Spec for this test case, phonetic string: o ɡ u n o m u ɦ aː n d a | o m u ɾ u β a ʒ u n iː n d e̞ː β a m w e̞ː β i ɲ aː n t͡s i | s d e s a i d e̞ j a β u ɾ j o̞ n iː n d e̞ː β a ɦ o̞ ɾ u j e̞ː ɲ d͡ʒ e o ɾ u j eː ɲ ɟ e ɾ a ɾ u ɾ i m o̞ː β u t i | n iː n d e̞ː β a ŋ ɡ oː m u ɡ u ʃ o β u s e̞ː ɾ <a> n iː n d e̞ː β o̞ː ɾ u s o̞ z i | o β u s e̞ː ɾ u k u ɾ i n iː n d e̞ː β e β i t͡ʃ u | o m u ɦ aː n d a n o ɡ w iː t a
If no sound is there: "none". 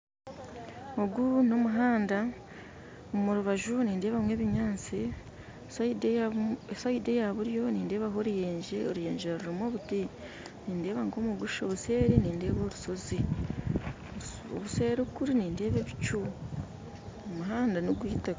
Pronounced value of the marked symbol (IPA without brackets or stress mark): i